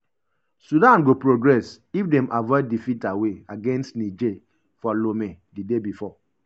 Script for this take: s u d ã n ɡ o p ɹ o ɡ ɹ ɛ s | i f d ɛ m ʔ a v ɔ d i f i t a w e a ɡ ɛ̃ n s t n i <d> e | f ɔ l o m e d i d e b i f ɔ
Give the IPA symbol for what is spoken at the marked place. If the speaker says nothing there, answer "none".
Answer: d͡ʒ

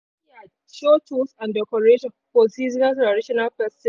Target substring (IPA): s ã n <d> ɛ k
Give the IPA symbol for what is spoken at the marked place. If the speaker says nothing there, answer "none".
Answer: d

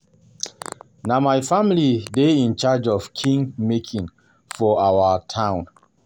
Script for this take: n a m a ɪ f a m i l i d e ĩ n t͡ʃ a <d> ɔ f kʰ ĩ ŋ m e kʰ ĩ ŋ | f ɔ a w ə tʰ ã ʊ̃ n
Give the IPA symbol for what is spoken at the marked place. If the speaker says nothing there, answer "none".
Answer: d͡ʒ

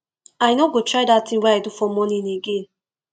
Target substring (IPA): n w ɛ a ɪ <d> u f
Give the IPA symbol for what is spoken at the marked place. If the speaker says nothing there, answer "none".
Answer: d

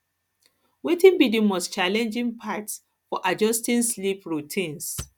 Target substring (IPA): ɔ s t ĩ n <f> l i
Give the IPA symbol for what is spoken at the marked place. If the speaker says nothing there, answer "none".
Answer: s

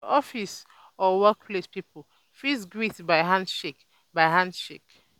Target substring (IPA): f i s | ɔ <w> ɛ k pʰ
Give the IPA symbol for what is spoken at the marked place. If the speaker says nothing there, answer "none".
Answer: w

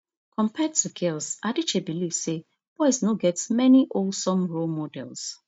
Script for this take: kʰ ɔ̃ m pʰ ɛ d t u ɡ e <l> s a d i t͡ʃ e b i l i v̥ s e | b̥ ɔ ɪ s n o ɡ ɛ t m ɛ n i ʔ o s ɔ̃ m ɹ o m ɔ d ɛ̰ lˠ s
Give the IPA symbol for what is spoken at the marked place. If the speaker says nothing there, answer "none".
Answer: l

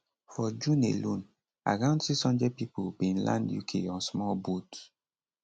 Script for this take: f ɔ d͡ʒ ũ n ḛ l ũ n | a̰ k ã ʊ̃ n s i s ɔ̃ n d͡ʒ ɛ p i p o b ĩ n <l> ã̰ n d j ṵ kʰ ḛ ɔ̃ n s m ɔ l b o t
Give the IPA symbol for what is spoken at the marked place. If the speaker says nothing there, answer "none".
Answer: l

